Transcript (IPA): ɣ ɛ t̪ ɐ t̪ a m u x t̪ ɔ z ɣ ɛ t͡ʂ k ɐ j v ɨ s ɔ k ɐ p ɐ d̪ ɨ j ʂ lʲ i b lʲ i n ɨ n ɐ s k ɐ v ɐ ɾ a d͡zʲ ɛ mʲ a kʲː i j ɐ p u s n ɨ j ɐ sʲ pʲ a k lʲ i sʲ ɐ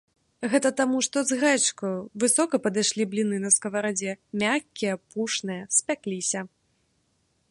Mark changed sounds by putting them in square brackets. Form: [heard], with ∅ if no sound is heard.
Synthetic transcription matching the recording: ɣ ɛ t̪ ɐ t̪ a m u [ʂ] t̪ ɔ z ɣ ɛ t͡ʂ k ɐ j v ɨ s ɔ k ɐ p ɐ d̪ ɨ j ʂ lʲ i b lʲ i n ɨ n ɐ s k ɐ v ɐ ɾ a d͡zʲ ɛ mʲ a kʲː i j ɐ p u [ʂ] n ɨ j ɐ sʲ pʲ a k lʲ i sʲ ɐ